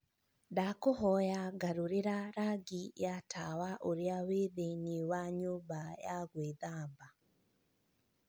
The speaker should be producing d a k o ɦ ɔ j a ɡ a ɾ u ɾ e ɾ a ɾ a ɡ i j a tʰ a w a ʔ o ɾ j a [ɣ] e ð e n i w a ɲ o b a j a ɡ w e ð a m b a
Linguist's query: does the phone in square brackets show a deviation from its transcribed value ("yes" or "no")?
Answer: yes